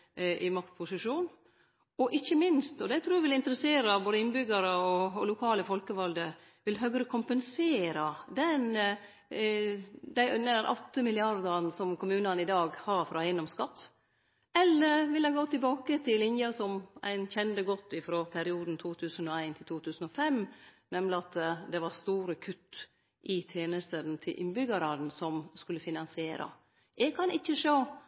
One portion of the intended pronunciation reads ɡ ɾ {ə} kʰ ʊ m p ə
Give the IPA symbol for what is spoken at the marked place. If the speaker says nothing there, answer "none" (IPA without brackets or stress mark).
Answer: ə